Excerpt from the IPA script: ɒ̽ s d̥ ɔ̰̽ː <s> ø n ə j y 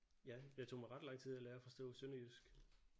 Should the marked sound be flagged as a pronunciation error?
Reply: no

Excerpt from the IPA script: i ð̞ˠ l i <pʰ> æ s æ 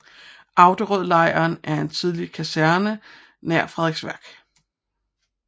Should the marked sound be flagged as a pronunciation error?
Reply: yes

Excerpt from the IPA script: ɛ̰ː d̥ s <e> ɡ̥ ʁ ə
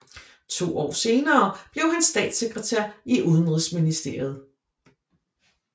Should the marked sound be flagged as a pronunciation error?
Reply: no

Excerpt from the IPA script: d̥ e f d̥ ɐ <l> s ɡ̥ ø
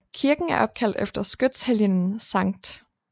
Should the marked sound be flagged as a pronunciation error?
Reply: yes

